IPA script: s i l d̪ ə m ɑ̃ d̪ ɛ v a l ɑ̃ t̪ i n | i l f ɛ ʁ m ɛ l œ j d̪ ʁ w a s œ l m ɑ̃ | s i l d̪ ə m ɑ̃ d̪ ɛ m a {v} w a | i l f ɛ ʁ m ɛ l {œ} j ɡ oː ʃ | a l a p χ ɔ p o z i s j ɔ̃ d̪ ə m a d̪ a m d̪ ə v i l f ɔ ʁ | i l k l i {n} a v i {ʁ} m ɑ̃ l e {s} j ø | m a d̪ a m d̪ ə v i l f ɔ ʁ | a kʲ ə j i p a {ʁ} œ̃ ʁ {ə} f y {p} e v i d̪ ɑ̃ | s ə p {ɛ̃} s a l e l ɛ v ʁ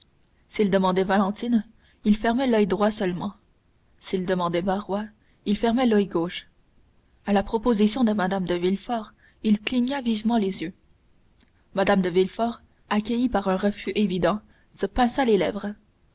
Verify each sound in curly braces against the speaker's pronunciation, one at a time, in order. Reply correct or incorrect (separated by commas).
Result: incorrect, correct, incorrect, incorrect, incorrect, correct, correct, incorrect, correct